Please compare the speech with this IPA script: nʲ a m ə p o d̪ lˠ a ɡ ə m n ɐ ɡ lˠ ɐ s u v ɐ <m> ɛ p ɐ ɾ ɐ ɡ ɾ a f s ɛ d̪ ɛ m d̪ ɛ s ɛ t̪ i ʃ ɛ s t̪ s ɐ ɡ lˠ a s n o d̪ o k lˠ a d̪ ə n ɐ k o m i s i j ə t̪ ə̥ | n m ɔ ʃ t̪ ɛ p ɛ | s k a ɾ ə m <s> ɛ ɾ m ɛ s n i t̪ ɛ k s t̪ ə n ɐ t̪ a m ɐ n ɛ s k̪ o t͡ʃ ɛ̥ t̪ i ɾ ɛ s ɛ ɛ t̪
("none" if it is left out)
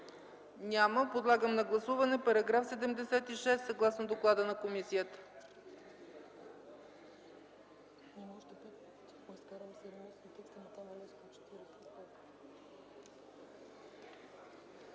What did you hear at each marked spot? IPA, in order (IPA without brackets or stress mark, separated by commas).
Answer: n, s